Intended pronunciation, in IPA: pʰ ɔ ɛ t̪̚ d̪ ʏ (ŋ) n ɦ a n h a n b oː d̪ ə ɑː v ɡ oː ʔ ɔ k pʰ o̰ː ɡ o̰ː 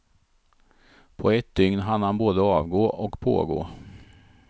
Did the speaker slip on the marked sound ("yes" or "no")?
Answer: no